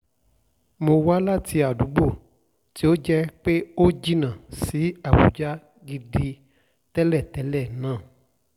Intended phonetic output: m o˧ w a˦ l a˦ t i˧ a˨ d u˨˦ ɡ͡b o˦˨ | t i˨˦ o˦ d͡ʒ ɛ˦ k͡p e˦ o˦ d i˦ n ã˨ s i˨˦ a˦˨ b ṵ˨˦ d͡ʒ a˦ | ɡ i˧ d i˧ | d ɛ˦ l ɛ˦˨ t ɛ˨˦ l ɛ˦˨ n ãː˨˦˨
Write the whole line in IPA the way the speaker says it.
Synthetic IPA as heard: m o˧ w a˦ l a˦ t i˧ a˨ d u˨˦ ɡ͡b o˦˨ | t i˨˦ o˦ d͡ʒ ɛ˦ k͡p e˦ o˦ d͡ʒ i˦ n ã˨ s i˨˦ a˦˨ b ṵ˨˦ d͡ʒ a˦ | ɡ i˧ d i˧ | t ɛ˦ l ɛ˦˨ t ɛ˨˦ l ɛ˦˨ n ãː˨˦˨